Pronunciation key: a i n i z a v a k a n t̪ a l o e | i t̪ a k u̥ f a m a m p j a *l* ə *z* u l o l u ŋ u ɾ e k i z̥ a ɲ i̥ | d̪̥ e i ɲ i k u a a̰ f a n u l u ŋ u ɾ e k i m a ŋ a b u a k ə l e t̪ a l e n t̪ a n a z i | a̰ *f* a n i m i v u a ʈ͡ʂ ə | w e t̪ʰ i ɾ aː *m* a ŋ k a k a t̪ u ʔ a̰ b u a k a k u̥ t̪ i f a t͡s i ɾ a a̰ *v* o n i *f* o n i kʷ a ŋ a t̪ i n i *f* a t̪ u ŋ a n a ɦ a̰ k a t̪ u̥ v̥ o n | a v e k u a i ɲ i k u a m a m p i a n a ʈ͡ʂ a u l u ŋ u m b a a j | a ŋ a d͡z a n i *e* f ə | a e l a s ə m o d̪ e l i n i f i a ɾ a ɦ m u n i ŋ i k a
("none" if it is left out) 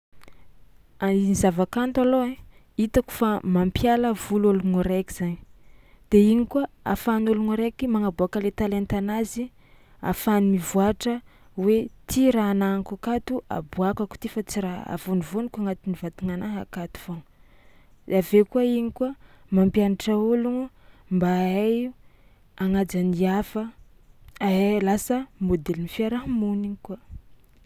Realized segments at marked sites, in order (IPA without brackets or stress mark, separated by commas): l, v, f, n, v, v, v, a